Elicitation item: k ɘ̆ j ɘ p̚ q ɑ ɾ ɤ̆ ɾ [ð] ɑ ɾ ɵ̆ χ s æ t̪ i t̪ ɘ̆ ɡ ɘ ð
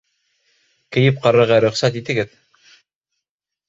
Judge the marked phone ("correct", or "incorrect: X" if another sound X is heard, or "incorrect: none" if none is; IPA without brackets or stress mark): incorrect: ʁ